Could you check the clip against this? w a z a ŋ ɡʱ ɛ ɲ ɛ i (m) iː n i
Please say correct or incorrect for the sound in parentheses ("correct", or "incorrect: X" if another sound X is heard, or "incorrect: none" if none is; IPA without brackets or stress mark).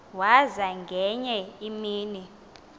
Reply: correct